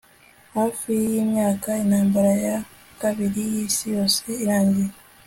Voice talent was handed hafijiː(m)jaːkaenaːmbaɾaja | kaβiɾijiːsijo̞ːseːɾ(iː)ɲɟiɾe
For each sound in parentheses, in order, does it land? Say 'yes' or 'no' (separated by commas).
yes, no